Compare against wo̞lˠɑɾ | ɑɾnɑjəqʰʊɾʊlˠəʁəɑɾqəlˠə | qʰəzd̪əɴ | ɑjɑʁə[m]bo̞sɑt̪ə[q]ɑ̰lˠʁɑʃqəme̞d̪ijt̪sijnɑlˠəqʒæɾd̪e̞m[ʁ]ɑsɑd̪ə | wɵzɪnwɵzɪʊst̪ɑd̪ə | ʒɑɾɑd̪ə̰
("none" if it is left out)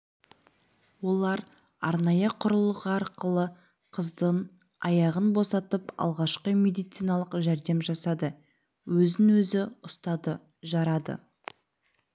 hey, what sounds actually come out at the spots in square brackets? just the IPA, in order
n, p, ʒ

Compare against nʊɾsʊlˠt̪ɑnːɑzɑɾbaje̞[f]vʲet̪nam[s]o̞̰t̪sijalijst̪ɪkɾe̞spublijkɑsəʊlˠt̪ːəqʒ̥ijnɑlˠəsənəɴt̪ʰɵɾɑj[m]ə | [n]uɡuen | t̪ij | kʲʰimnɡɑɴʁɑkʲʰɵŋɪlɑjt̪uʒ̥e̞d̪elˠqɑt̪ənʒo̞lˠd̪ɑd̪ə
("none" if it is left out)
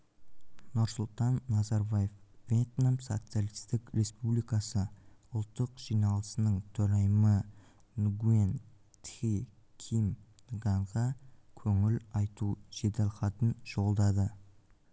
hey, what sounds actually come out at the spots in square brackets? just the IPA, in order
f, s, m, n

